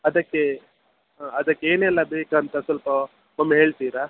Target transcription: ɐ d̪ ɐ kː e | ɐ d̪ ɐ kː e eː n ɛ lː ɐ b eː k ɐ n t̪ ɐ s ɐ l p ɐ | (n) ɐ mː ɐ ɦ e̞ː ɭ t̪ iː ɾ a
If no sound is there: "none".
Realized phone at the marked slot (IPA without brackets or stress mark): m